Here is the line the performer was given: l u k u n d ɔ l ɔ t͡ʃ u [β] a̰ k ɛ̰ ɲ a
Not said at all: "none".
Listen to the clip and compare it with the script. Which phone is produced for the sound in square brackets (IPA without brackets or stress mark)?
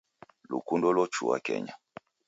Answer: w